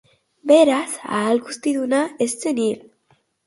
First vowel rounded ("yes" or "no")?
no